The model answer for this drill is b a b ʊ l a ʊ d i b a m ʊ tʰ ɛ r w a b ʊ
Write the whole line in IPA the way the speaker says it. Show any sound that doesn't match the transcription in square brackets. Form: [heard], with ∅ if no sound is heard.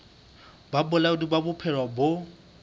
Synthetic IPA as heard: b a b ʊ l a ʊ d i b a [b] ʊ [pʰ] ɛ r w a b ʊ

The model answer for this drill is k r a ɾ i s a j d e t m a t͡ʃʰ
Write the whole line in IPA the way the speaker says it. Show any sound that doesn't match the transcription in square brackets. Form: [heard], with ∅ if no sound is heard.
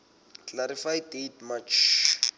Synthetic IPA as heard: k [l] a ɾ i [f] a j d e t m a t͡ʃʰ

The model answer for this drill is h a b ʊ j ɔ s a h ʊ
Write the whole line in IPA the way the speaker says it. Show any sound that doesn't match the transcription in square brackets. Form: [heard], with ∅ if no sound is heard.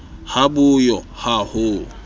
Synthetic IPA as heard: h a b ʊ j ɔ [h] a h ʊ

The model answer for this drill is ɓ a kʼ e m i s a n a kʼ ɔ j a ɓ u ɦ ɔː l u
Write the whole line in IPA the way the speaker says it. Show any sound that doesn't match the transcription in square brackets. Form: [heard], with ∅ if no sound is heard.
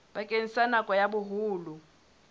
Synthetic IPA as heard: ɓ a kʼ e [n] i s a n a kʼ ɔ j a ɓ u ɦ [uː] l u

